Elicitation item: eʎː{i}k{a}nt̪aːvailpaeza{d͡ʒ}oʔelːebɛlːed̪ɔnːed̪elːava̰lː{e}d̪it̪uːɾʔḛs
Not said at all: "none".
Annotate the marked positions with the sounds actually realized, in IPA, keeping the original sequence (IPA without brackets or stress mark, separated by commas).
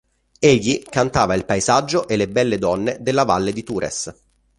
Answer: i, a, d͡ʒː, e